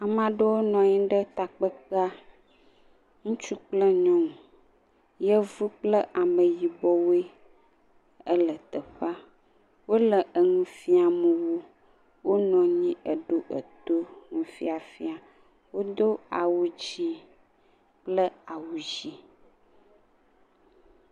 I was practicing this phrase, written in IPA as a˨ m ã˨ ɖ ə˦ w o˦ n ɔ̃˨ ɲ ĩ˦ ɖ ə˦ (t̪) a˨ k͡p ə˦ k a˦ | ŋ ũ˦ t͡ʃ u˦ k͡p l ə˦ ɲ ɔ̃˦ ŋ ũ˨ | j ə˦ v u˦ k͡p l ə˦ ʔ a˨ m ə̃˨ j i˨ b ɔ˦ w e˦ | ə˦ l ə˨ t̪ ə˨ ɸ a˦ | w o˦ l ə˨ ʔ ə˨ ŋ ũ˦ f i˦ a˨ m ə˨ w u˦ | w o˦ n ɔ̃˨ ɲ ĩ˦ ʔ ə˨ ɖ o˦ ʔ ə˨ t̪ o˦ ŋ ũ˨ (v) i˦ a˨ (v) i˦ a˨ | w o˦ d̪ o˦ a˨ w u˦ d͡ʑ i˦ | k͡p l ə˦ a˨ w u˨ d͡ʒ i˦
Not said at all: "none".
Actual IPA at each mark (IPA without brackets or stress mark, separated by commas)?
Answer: t̪, f, f